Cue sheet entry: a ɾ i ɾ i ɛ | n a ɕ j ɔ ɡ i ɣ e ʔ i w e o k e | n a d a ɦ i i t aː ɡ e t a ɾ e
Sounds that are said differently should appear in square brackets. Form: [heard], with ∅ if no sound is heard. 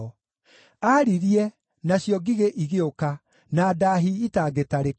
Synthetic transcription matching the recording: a ɾ i ɾ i ɛ | n a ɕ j ɔ ɡ i ɣ e ʔ i [ɣ] e o k [a] | n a d a ɦ i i t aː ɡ e t a ɾ e